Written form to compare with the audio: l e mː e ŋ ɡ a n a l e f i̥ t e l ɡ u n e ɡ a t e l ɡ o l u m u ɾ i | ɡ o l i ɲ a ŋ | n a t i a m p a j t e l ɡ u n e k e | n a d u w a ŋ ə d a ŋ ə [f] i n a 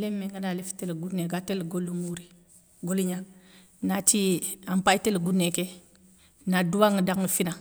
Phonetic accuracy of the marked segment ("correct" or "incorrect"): correct